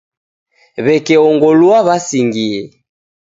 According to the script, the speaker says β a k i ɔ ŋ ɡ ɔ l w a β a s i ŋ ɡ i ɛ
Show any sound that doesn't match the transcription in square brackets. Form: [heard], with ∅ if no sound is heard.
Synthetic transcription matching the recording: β [ɛ] k [ɛ] ɔ ŋ ɡ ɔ l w a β a s i ŋ ɡ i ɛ